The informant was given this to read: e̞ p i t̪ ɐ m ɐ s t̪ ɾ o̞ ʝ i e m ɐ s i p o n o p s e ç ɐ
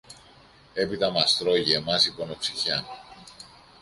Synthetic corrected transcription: e̞ p i t̪ ɐ m ɐ s t̪ ɾ o̞ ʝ i e m ɐ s i p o n o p s i ç ɐ

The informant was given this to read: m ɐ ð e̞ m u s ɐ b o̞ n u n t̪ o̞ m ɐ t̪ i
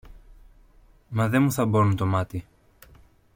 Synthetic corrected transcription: m ɐ ð e̞ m u θ ɐ b o̞ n u n t̪ o̞ m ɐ t̪ i

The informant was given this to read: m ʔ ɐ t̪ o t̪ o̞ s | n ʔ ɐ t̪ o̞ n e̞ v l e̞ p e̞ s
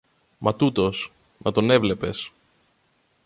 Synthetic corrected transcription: m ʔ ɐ t̪ u t̪ o̞ s | n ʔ ɐ t̪ o̞ n e̞ v l e̞ p e̞ s

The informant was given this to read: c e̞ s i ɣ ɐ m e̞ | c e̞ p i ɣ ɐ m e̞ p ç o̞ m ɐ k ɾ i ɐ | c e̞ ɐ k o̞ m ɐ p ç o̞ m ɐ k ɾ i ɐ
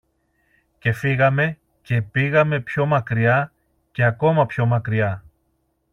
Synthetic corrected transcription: c e̞ f i ɣ ɐ m e̞ | c e̞ p i ɣ ɐ m e̞ p ç o̞ m ɐ k ɾ i ɐ | c e̞ ɐ k o̞ m ɐ p ç o̞ m ɐ k ɾ i ɐ

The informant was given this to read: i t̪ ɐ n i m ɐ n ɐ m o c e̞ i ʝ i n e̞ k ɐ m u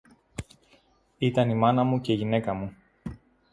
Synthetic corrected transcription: i t̪ ɐ n i m ɐ n ɐ m u c e̞ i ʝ i n e̞ k ɐ m u

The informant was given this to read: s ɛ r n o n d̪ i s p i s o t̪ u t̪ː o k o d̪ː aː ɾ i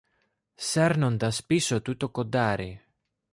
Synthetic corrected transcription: s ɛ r n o n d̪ a s p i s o t̪ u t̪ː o k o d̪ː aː ɾ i

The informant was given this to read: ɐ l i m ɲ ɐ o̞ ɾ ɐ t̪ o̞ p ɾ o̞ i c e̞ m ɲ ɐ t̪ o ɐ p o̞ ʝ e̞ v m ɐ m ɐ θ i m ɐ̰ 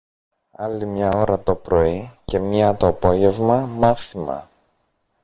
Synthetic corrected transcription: ɐ l i m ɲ ɐ o̞ ɾ ɐ t̪ o̞ p ɾ o̞ i c e̞ m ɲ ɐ t̪ o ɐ p o̞ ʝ e̞ v m ɐ m ɐ θ i m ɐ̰

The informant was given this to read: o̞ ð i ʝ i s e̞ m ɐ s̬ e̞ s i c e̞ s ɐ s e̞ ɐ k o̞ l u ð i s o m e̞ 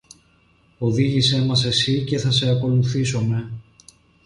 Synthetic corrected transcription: o̞ ð i ʝ i s e̞ m ɐ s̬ e̞ s i c e̞ θ ɐ s e̞ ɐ k o̞ l u θ i s o m e̞

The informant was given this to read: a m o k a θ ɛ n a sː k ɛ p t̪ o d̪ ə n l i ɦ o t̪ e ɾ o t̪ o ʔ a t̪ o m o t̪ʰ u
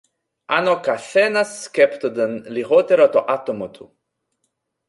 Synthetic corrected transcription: a n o k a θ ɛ n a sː k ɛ p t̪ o d̪ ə n l i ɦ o t̪ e ɾ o t̪ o ʔ a t̪ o m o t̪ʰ u

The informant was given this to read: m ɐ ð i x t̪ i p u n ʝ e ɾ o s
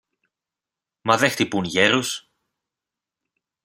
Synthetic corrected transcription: m ɐ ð e x t̪ i p u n ʝ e ɾ u s

